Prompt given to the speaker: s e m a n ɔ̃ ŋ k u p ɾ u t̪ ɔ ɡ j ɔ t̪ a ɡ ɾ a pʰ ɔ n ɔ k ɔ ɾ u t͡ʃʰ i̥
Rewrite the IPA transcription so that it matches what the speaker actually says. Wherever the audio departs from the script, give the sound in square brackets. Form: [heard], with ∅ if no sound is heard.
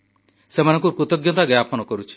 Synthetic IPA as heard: s e m a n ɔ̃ ŋ k u p ɾ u t̪ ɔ ɡ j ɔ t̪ a ɡ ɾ a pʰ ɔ n ɔ k ɔ ɾ u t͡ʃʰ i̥